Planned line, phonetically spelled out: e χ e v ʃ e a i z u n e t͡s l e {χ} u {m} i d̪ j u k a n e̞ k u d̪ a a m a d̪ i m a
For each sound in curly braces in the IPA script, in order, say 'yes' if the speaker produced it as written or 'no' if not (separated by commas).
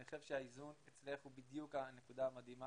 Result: yes, no